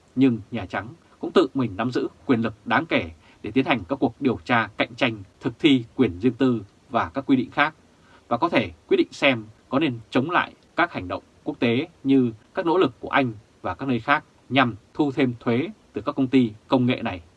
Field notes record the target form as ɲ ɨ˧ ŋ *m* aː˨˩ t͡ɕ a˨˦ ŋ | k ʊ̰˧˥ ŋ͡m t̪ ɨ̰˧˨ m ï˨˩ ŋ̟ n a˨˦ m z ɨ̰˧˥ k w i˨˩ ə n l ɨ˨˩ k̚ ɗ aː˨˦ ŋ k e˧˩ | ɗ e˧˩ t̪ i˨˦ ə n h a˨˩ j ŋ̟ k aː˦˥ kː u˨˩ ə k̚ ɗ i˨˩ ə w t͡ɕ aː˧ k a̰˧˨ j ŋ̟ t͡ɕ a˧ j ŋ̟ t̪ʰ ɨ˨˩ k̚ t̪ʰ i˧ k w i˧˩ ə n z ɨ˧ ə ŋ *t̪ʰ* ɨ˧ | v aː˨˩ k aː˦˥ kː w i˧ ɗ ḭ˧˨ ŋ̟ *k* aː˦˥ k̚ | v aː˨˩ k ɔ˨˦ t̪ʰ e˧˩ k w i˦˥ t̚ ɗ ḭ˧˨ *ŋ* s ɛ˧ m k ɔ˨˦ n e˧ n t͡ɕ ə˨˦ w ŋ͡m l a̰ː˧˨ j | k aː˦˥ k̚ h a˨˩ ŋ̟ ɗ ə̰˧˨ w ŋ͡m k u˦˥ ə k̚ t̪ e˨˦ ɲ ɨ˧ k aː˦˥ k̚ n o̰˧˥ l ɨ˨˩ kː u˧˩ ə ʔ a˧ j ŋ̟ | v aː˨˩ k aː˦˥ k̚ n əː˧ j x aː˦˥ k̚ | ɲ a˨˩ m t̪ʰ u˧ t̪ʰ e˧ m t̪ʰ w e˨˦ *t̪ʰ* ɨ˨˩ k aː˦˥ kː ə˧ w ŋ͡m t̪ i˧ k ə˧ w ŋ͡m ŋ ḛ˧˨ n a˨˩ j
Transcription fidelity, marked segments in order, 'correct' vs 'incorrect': incorrect: ɲ, incorrect: t̪, incorrect: x, correct, incorrect: t̪

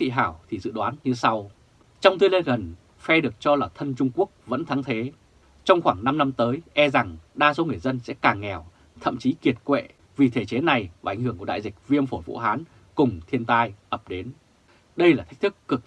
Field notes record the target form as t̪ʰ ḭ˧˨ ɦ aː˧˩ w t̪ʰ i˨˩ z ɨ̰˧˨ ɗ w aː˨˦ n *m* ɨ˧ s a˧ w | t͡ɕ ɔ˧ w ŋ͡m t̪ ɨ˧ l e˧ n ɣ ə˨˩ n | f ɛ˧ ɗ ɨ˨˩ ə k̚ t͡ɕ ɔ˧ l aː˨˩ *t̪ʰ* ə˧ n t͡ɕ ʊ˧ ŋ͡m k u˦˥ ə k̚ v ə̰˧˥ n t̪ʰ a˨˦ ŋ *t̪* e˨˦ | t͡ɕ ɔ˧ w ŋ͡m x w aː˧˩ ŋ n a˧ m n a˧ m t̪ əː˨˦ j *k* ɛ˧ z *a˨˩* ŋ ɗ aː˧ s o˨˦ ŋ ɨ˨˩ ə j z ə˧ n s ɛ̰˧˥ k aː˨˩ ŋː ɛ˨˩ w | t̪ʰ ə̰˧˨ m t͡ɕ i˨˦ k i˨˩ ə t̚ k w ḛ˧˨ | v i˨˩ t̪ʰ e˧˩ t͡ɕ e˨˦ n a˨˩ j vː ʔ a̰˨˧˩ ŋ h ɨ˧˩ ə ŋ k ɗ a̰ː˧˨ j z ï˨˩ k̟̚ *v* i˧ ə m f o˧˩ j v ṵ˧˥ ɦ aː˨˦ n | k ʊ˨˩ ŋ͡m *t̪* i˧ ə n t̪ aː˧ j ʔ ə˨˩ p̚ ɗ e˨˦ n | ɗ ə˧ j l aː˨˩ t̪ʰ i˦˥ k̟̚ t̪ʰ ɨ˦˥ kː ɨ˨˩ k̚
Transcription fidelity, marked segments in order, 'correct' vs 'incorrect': incorrect: ɲ, correct, incorrect: t̪ʰ, incorrect: ʔ, correct, correct, incorrect: t̪ʰ

